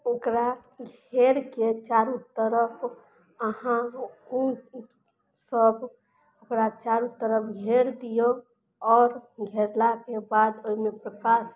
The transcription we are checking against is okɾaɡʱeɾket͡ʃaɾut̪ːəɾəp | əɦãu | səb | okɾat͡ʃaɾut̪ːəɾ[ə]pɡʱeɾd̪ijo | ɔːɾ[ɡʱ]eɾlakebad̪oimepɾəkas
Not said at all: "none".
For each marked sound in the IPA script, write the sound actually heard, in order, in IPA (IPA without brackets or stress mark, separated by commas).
ə, ɡʱ